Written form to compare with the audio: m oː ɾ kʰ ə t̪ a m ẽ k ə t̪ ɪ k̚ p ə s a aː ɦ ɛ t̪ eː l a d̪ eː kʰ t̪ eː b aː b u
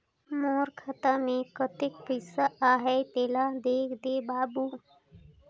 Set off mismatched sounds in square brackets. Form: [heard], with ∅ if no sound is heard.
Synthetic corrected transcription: m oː ɾ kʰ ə t̪ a m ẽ k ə t̪ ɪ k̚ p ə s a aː ɦ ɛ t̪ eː l a d̪ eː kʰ [d̪] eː b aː b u

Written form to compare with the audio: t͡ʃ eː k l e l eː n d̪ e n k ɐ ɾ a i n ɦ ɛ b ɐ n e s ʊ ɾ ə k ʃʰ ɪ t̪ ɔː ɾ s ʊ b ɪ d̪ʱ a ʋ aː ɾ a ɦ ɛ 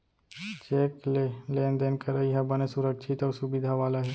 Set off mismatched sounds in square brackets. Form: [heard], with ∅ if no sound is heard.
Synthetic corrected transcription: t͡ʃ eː k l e l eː n d̪ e n k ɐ ɾ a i [∅] ɦ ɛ b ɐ n e s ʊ ɾ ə k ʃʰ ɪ t̪ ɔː ɾ s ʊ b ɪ d̪ʱ a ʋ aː [l] a ɦ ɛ

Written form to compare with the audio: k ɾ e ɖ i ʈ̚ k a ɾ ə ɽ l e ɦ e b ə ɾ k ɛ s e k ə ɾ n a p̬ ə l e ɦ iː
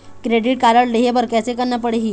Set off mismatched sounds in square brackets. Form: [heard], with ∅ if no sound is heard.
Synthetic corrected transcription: k ɾ e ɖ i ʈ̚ k a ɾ ə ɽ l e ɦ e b ə ɾ k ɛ s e k ə ɾ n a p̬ ə [ɽ] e ɦ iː

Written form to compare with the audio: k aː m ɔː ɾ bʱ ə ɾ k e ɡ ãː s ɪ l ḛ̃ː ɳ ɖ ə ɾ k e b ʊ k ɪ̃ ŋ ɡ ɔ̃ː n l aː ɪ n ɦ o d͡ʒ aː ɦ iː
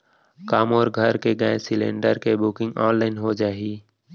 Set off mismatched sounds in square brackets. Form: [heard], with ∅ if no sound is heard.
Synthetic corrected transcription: k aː m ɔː ɾ [ɡʱ] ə ɾ k e ɡ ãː s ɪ l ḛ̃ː ɳ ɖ ə ɾ k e b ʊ k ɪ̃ ŋ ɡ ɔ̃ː n l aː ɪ n ɦ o d͡ʒ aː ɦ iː

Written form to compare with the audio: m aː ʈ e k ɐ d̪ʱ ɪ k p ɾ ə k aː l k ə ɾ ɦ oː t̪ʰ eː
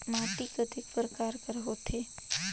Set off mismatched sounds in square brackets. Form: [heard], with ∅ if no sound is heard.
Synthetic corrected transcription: m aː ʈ [i] k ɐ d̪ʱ ɪ k p ɾ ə k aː [ɾ] k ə ɾ ɦ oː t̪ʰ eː

